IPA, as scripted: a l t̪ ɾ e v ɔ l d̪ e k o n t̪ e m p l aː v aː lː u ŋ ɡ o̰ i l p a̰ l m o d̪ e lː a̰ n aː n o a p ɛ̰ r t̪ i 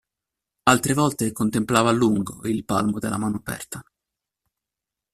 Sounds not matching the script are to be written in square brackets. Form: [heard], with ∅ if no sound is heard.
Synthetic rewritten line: a l t̪ ɾ e v ɔ l [t̪] e k o n t̪ e m p l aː v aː lː u ŋ ɡ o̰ i l p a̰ l m o d̪ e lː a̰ [m] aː n o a p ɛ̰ r t̪ [a]